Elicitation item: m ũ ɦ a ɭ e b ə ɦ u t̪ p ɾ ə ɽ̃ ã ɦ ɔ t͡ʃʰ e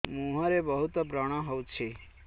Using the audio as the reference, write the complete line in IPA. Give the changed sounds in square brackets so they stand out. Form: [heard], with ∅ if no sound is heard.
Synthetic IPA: m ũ ɦ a [ɾ] e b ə ɦ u t̪ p ɾ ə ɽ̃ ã ɦ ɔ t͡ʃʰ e